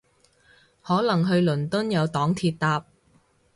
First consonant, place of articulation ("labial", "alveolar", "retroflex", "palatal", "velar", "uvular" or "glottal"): glottal